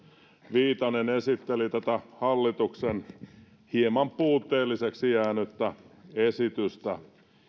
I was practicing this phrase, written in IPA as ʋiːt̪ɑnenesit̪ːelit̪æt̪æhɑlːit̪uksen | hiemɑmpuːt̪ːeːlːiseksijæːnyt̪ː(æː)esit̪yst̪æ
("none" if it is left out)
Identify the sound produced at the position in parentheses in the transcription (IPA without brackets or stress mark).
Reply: æ